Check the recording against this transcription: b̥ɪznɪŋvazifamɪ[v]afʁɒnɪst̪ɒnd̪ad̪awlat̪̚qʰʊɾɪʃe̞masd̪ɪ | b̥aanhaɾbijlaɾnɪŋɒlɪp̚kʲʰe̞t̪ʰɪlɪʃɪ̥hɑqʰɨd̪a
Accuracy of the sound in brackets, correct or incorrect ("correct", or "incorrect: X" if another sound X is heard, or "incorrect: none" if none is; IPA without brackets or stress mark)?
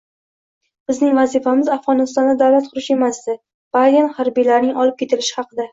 incorrect: z